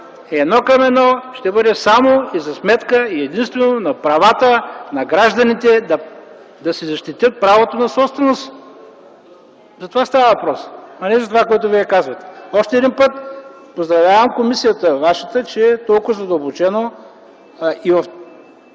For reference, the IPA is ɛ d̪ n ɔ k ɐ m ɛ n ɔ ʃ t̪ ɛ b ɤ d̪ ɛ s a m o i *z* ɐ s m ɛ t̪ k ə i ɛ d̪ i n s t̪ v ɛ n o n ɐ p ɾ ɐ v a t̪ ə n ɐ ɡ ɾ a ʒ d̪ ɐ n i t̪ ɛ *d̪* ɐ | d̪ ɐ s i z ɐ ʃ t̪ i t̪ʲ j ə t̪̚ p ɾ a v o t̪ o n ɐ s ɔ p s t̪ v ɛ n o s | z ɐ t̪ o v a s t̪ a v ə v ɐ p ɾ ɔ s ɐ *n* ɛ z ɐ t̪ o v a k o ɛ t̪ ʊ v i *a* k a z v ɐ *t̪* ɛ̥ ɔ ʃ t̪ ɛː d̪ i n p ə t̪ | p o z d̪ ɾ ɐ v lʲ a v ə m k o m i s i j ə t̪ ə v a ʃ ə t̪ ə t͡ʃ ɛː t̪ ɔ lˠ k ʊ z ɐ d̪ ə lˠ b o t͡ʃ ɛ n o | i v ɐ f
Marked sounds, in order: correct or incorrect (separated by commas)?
correct, correct, correct, incorrect, correct